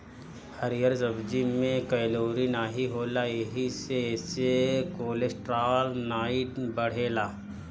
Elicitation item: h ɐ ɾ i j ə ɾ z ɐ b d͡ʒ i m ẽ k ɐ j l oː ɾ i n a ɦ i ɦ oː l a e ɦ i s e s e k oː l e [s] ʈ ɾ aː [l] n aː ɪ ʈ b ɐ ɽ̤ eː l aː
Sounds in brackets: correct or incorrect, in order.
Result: correct, correct

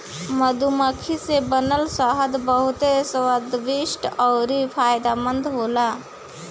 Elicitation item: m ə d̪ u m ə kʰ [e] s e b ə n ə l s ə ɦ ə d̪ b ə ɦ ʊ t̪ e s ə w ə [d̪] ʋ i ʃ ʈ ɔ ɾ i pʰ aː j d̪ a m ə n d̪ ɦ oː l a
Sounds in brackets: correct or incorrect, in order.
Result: incorrect, correct

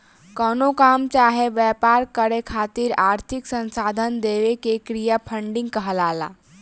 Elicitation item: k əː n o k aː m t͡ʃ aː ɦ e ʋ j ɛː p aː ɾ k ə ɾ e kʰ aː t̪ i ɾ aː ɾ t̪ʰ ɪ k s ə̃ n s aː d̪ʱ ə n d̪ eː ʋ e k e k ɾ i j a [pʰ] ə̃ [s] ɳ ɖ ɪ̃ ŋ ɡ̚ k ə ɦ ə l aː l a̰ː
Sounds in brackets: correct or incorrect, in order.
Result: correct, incorrect

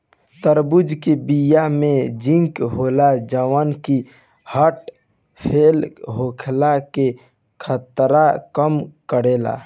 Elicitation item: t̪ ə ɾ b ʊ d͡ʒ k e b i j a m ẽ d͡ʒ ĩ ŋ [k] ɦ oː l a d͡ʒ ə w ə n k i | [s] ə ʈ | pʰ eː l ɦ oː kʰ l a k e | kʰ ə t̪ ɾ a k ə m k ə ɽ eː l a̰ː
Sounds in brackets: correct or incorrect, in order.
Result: correct, incorrect

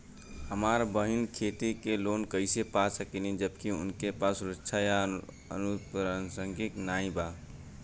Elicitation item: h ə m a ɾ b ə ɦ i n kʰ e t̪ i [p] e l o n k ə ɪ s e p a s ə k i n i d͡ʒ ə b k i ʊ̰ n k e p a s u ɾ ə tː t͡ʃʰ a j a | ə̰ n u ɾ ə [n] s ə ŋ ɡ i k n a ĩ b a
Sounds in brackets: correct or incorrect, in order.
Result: incorrect, correct

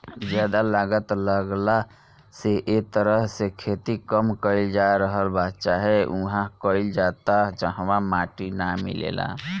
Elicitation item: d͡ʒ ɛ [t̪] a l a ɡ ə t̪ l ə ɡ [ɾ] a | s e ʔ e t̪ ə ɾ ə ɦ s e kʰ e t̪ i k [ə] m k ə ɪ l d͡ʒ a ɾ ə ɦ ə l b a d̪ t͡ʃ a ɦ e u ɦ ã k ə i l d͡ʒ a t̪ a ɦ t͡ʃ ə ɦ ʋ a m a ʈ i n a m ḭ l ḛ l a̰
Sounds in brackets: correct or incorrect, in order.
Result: incorrect, incorrect, correct

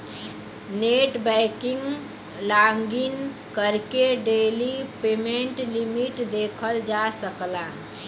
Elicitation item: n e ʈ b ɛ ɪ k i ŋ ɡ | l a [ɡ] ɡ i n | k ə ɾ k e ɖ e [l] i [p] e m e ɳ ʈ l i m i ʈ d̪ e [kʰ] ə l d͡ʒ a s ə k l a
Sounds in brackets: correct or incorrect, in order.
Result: incorrect, correct, correct, correct

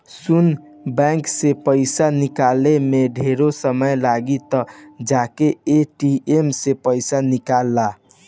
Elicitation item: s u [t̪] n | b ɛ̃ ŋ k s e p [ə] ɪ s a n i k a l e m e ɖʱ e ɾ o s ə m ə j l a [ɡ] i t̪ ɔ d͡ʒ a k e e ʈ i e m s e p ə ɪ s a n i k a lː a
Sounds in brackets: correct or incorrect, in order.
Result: incorrect, correct, correct

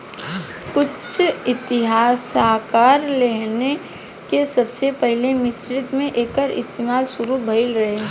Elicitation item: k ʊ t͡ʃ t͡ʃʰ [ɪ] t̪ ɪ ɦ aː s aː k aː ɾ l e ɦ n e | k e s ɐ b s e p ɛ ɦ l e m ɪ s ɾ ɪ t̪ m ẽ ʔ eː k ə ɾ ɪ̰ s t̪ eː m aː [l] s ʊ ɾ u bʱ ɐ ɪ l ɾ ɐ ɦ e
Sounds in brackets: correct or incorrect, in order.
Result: correct, correct

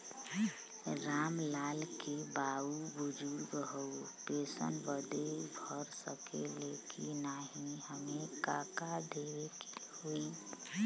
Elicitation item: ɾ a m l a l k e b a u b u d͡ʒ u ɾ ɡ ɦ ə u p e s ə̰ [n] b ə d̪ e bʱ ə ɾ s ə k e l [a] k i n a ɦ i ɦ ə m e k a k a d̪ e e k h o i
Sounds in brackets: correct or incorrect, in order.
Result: correct, incorrect

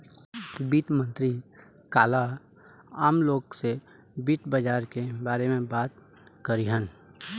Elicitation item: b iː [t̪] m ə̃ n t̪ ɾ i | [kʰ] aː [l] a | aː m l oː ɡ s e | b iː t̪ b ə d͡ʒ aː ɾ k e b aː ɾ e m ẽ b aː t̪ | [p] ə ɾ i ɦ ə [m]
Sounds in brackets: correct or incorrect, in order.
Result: correct, incorrect, correct, incorrect, incorrect

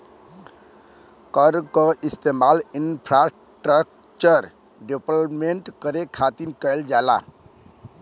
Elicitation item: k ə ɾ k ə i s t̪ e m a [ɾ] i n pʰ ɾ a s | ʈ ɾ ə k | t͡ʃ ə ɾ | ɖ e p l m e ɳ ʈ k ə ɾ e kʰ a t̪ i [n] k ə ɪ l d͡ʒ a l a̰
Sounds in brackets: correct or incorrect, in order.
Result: incorrect, correct

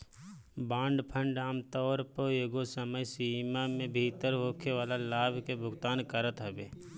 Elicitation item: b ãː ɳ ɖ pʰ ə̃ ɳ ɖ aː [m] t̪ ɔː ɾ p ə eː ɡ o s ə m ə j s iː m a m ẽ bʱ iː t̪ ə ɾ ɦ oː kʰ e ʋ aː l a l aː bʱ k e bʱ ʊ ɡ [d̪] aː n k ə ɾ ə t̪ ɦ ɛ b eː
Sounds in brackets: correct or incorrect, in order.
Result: correct, incorrect

